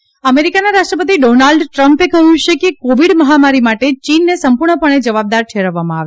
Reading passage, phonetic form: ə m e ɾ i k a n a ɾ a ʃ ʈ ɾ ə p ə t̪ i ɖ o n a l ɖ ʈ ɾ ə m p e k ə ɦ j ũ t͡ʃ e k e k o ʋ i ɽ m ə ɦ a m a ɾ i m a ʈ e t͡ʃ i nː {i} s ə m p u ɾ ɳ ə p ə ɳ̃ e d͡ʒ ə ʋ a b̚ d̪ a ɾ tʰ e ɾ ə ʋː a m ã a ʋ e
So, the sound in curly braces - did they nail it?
no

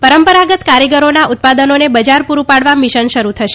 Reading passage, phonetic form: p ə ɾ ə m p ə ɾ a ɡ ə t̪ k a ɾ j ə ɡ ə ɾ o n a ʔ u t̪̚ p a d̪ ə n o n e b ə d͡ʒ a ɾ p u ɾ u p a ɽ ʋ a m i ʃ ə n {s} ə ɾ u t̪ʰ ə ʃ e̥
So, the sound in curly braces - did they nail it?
no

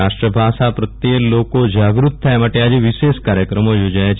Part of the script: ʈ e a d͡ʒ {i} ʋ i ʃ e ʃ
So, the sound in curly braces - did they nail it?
no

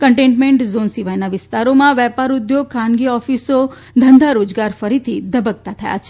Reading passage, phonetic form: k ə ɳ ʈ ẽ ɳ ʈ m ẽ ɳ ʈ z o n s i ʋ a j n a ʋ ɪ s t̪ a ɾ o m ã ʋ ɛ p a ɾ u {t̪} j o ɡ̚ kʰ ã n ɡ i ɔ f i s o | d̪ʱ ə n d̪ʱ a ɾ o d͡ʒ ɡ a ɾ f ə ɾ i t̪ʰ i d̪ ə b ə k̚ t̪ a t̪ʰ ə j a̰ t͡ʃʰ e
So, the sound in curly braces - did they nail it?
no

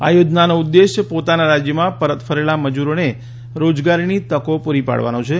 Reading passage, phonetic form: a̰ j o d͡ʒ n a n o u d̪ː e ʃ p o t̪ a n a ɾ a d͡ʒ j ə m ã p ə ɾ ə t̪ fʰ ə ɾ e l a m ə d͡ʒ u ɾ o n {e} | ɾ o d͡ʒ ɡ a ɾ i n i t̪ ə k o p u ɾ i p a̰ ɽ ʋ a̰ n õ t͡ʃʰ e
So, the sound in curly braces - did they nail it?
yes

